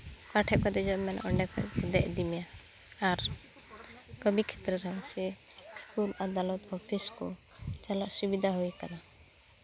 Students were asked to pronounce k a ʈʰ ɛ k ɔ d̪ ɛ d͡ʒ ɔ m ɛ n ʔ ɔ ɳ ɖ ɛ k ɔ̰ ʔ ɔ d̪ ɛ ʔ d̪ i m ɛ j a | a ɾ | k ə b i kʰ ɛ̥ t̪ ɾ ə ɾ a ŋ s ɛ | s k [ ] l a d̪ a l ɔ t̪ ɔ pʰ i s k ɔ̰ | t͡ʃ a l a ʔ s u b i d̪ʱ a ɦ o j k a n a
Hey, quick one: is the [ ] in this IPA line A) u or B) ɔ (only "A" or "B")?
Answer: A